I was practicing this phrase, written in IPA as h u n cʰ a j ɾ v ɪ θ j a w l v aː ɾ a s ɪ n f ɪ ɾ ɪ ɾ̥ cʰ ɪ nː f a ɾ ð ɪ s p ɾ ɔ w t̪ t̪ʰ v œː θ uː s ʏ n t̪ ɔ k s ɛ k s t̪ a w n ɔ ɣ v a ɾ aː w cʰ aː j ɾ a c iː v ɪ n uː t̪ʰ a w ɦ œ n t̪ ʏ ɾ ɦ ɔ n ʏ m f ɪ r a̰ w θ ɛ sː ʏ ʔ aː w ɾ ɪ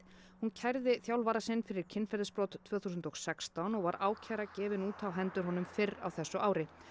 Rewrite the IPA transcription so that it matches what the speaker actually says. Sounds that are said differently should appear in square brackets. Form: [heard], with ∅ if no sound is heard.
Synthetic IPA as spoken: h u n cʰ a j ɾ [ð] ɪ θ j a w l v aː ɾ a s ɪ n f ɪ ɾ ɪ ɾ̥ cʰ ɪ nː f [ɛ] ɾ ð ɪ s p ɾ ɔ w t̪ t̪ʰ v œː θ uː s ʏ n t̪ ɔ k s ɛ k s t̪ a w n ɔ ɣ v a ɾ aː w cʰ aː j ɾ a c [ɛː] v ɪ n uː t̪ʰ a w ɦ [ɛ] n t̪ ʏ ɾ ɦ ɔ n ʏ m f ɪ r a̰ w θ ɛ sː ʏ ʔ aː w ɾ ɪ